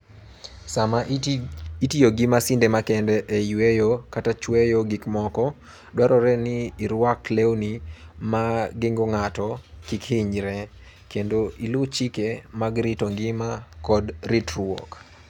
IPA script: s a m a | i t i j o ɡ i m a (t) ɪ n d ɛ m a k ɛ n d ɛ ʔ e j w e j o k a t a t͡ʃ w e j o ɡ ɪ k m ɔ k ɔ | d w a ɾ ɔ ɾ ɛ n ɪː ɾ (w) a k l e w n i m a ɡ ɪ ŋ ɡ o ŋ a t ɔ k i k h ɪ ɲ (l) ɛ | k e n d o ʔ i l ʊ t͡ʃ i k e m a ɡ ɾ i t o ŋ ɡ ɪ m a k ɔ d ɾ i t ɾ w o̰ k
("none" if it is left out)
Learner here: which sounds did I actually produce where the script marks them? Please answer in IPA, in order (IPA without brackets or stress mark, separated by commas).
s, w, ɾ